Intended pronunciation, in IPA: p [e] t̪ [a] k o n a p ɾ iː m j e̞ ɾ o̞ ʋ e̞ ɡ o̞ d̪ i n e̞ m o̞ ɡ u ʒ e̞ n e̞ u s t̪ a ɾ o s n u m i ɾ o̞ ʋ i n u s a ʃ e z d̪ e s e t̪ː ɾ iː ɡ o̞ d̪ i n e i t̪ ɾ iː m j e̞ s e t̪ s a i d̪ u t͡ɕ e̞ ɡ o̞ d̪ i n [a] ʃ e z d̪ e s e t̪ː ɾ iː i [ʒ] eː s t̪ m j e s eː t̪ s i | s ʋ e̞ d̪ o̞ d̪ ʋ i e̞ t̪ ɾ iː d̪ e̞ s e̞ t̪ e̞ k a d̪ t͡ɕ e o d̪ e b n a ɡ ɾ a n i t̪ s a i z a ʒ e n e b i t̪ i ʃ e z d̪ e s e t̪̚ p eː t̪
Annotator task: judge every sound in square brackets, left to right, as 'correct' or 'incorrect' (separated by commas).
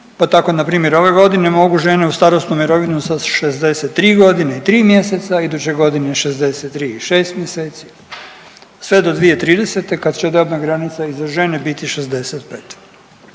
incorrect, correct, incorrect, incorrect